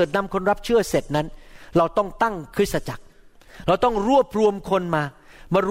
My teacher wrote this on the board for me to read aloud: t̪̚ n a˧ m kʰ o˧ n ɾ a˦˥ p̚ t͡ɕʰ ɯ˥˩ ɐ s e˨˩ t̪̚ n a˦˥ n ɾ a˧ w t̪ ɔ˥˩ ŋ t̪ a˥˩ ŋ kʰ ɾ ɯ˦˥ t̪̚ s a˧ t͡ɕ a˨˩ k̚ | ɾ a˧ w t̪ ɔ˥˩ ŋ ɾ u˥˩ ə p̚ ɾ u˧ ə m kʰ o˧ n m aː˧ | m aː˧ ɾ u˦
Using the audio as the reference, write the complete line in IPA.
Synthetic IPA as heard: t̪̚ n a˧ m kʰ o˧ n ɾ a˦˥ p̚ t͡ɕʰ ɯ˥˩ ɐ s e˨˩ t̪̚ n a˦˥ n ɾ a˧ w t̪ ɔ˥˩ ŋ t̪ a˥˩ ŋ kʰ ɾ ɯ˦˥ t̪̚ s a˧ t͡ɕ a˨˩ k̚ | ɾ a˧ w t̪ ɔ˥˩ ŋ ɾ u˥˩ ə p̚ ɾ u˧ ə m kʰ o˧ n m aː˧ | m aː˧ ɾ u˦